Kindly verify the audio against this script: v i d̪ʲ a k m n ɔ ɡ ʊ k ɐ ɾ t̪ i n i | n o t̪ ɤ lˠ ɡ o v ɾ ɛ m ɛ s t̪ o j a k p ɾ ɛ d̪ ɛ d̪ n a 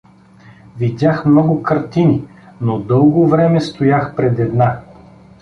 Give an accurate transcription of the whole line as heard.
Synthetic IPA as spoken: v i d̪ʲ a x m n ɔ ɡ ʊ k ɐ ɾ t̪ i n i | n o d̪ ɤ lˠ ɡ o v ɾ ɛ m ɛ s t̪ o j a x p ɾ ɛ d̪ ɛ d̪ n a